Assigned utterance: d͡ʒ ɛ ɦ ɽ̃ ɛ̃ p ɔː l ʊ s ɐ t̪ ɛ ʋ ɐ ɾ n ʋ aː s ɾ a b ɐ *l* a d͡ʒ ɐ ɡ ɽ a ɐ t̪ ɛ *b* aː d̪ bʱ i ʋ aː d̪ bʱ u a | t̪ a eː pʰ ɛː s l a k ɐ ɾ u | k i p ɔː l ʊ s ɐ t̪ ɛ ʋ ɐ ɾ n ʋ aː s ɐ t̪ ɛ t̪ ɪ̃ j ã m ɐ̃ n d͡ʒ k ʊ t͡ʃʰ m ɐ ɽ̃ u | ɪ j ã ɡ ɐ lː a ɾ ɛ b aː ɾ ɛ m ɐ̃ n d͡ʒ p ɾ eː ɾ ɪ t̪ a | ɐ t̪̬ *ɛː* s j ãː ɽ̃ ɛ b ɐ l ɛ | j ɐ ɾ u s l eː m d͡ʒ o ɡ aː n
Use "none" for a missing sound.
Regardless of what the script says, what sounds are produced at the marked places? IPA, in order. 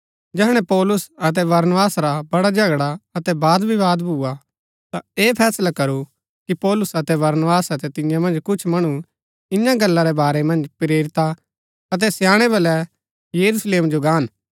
ɽ, b, ɛ

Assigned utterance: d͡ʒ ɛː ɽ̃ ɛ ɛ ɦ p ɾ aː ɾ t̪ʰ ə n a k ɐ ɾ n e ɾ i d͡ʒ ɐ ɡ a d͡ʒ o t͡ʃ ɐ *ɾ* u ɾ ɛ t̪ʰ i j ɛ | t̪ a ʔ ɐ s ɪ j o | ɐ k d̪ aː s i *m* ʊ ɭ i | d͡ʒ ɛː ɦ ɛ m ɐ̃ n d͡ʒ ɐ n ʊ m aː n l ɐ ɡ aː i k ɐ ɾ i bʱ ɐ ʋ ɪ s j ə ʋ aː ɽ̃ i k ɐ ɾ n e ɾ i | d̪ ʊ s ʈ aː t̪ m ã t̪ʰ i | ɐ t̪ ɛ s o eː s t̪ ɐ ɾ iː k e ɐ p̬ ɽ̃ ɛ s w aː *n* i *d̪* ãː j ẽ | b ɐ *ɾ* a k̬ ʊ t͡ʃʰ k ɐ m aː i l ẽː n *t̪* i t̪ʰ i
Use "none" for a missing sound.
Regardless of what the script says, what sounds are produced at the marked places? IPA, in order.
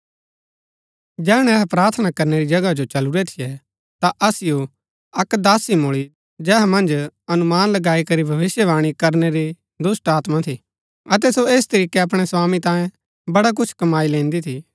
l, m, m, t̪, ɽ, d̪

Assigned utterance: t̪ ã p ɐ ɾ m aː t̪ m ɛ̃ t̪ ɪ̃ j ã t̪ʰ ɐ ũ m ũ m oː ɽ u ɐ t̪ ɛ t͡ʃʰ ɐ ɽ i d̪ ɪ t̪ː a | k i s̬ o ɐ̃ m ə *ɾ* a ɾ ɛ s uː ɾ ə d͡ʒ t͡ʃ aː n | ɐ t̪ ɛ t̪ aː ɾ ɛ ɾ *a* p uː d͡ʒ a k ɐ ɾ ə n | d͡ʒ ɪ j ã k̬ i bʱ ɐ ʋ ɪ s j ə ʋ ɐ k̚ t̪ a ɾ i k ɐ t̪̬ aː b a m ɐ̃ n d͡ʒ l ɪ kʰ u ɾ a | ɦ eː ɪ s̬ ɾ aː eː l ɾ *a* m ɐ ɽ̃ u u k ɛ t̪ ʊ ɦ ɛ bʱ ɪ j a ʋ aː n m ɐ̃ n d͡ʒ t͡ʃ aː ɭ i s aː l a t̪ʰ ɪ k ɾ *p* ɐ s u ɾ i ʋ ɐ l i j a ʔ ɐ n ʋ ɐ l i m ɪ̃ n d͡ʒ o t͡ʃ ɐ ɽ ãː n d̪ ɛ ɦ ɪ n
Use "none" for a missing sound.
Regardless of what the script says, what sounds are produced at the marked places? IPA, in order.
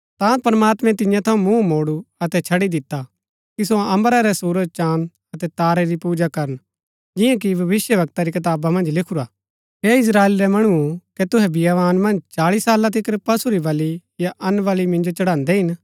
ɾ, i, ɛ, p

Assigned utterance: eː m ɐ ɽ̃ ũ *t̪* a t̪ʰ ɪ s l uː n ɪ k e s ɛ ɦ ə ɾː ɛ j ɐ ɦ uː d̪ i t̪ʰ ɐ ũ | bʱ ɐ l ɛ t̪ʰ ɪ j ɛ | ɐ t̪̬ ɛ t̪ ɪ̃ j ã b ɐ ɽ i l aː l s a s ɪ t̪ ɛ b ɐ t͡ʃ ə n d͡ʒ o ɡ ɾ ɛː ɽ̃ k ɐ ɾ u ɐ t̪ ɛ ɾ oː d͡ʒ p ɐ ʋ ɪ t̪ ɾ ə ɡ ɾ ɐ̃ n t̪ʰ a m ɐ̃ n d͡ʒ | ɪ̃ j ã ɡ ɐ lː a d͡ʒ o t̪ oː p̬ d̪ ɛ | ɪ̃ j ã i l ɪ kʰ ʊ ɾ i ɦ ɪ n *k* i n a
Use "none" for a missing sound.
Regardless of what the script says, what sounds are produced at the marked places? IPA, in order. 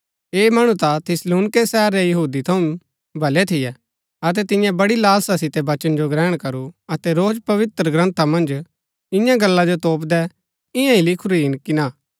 t̪, k

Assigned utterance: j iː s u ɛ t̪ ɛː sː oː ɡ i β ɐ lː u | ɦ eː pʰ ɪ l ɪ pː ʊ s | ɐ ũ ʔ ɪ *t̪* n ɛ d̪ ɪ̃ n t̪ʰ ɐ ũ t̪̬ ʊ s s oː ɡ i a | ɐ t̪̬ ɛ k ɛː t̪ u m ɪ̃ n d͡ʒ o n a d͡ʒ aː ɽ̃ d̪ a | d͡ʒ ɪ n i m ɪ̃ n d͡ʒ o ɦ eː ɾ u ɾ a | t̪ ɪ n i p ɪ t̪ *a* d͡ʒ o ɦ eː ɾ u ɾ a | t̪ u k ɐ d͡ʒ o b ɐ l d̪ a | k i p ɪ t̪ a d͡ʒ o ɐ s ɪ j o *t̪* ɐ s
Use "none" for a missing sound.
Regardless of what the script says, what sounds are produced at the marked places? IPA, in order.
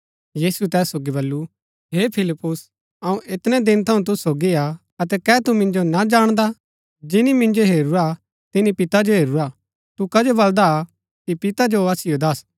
t̪, a, d̪

